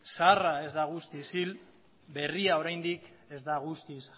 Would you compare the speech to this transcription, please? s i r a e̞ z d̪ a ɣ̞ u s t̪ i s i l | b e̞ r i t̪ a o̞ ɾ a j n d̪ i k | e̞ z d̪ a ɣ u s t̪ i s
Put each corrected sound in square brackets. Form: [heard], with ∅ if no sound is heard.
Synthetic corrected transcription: s [a] r a e̞ z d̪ a ɣ̞ u s t̪ i s i l | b e̞ r i [∅] a o̞ ɾ a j n d̪ i k | e̞ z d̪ a ɣ u s t̪ i s